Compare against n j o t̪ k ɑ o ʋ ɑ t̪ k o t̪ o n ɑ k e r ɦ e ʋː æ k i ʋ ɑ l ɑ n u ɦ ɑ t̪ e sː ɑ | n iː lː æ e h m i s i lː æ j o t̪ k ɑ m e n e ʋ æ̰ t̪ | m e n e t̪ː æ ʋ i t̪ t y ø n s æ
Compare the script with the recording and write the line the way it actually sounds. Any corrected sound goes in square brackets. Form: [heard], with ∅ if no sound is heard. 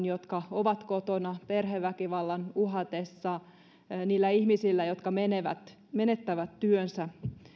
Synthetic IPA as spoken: n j o t̪ k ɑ o ʋ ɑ t̪ k o t̪ o n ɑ [p] e r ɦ e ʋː æ k i ʋ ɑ [lː] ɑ n u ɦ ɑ t̪ e sː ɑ | n iː lː æ [i] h m i s i lː æ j o t̪ k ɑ m e n e ʋ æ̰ t̪ | m e n e t̪ː æ ʋ [æ] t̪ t y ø n s æ